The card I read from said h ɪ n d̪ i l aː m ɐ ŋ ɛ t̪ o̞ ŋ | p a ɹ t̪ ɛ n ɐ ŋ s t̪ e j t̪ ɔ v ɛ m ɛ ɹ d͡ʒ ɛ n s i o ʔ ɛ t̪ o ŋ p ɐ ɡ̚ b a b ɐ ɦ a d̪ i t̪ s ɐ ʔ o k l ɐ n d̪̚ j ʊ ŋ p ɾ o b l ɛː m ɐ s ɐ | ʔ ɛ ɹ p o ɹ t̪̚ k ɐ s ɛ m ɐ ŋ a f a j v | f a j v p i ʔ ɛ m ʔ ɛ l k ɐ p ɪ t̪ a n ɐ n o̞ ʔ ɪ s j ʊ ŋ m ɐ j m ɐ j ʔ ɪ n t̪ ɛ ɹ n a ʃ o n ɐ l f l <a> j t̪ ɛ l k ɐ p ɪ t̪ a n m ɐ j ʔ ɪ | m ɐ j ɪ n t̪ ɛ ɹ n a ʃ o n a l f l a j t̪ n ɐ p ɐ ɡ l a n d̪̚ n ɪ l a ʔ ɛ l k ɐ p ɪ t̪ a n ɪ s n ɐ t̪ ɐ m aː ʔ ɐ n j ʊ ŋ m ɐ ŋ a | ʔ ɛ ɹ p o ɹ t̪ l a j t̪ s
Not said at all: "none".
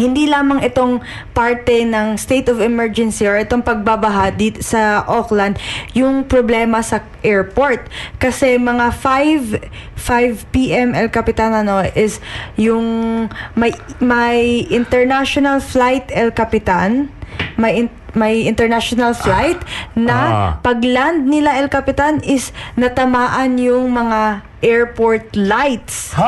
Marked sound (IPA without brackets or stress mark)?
a